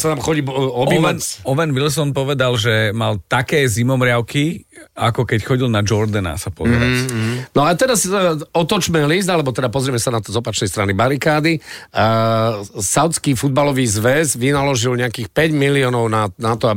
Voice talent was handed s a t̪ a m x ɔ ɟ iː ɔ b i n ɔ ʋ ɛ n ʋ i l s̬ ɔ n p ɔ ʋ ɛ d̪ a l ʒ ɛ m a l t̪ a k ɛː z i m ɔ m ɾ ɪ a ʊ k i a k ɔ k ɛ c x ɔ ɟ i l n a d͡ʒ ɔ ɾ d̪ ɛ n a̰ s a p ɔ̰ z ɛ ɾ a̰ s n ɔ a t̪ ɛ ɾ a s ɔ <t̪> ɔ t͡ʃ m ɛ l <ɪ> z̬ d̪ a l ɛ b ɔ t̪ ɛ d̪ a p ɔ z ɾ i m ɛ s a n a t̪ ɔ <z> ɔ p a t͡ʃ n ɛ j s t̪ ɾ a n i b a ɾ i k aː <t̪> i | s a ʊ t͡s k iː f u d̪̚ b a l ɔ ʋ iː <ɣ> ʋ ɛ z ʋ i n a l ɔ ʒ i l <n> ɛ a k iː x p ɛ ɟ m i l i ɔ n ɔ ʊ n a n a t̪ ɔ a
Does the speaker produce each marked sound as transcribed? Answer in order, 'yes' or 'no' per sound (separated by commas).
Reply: yes, no, yes, no, no, no